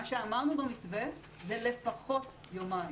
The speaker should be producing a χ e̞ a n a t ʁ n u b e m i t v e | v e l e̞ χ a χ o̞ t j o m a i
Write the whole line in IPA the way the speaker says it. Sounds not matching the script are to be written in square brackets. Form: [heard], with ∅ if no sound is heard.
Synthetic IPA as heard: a [ʃ] e̞ a [m] a [∅] ʁ n u b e m i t v e | [z] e l e̞ [f] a χ o̞ t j o m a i